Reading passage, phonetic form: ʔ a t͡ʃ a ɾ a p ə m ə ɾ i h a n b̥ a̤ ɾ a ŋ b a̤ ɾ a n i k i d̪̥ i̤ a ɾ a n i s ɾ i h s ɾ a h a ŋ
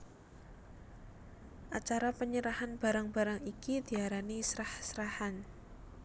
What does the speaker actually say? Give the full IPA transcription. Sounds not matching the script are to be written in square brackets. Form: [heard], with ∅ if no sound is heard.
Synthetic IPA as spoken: ʔ a t͡ʃ a ɾ a p ə [ɲ] ə ɾ [a] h a n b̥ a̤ ɾ a ŋ b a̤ ɾ a [ŋ] i k i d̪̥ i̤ a ɾ a n i s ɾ [a] h s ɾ a h a [n]

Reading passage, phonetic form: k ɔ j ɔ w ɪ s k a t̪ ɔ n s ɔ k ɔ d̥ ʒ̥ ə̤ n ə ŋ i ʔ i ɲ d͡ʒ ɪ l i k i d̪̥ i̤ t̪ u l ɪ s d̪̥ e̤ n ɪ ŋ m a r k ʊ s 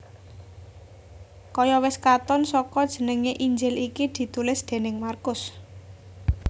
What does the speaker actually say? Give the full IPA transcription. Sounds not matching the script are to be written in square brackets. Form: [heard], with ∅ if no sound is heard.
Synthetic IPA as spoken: k ɔ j ɔ w ɪ s k a t̪ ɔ n s ɔ k ɔ d̥ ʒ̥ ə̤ n ə ŋ [e] ʔ i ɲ d͡ʒ ɪ l i k i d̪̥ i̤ t̪ u l ɪ s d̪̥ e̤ n ɪ ŋ m a r k ʊ s

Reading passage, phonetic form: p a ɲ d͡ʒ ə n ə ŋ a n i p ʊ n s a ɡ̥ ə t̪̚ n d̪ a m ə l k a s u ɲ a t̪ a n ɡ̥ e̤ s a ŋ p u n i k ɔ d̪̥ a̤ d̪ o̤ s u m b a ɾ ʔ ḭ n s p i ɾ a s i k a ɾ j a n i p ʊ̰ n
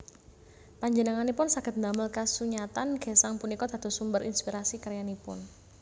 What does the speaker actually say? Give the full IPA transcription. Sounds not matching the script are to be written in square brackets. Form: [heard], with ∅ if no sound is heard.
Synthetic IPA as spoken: p a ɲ d͡ʒ ə n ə ŋ a n i p ʊ n s a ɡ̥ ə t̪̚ n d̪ a m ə l k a s u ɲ a t̪ a n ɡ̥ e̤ s a ŋ p u n i k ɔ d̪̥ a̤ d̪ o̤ s u m b [ə] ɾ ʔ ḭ n s p i ɾ a s i k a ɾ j a n i p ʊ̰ n

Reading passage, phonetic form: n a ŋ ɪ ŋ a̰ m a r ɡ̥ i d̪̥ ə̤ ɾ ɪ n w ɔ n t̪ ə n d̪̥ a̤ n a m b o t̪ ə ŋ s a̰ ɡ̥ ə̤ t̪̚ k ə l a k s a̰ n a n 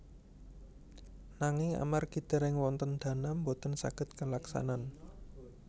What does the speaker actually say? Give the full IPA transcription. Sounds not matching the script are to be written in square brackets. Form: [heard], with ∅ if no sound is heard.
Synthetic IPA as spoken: n a ŋ ɪ ŋ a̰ m a r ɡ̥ i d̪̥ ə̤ ɾ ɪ [ŋ] w ɔ n t̪ ə n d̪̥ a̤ n a m b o t̪ ə [n] s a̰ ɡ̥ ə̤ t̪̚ k ə l a k s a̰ n a n

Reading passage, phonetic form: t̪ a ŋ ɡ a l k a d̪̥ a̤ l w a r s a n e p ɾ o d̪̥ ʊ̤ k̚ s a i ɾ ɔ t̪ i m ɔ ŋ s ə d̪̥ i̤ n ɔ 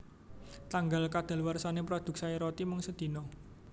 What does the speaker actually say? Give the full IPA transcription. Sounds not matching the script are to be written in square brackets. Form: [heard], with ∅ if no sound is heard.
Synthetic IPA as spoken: t̪ a ŋ ɡ a l k a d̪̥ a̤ l w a r s a n e p ɾ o d̪̥ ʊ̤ k̚ s a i ɾ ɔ t̪ i m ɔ ŋ s ə d̪̥ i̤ n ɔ

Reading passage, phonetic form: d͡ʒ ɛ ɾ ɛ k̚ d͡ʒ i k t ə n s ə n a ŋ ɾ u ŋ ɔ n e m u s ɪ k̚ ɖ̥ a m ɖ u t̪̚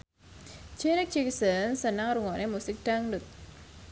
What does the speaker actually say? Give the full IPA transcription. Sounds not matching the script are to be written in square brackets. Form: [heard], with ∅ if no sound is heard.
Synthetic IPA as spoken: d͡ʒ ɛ ɾ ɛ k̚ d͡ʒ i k [s] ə n s ə n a ŋ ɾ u ŋ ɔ n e m u s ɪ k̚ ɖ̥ a [ŋ] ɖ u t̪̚

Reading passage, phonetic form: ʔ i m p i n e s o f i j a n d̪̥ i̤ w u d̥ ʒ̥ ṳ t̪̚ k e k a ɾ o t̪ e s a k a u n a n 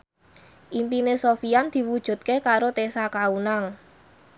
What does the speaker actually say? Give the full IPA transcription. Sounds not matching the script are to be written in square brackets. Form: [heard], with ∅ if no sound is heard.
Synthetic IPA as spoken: ʔ i m p i n e s o f i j a n d̪̥ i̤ w u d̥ ʒ̥ ṳ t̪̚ k e k a ɾ o t̪ e s a k a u n a [ŋ]

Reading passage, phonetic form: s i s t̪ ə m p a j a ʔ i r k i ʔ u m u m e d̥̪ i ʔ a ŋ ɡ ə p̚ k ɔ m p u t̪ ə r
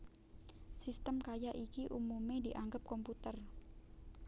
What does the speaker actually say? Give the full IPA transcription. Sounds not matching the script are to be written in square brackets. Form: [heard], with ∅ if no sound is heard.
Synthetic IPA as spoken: s i s t̪ ə m [k] a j a ʔ i [∅] k i ʔ u m u m e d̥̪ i ʔ a ŋ ɡ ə p̚ k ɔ m p u t̪ ə r

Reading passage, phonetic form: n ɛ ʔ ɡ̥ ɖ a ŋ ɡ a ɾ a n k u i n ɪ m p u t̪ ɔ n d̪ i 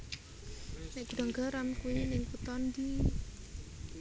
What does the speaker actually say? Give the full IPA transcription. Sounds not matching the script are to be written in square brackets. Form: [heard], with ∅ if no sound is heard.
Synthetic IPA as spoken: n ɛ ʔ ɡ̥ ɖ a ŋ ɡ a ɾ a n k u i n ɪ [ŋ] p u t̪ ɔ n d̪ i

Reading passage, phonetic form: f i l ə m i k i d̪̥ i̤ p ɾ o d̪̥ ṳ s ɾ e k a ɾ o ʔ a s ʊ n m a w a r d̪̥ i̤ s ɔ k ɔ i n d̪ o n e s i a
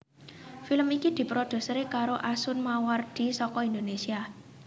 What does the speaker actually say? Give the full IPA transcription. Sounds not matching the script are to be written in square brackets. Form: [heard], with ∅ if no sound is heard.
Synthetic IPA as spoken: f i l ə m i k i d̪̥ i̤ p ɾ o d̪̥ ṳ s ɾ e k a ɾ o ʔ a s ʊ n m a w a r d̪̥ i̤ s ɔ k ɔ i n d̪ o n e s i a

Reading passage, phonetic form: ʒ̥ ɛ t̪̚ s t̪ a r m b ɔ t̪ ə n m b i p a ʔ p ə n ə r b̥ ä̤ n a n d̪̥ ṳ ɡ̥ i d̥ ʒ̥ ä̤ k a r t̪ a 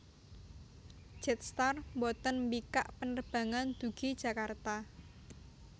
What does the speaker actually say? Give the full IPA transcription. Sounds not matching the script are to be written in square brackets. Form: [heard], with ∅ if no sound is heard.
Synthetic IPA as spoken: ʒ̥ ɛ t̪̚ s t̪ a r m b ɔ t̪ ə n m b i [k] a ʔ p ə n ə r b̥ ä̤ [ŋ] a n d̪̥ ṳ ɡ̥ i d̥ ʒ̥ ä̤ k a r t̪ a

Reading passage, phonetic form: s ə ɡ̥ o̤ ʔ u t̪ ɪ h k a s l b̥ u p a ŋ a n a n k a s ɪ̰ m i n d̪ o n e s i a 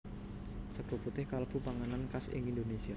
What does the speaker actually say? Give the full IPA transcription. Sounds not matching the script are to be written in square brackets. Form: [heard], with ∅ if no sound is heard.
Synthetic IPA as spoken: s ə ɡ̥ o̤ [p] u t̪ ɪ h k a [∅] l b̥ u p a ŋ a n a n k a s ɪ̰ [ŋ] i n d̪ o n e s i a

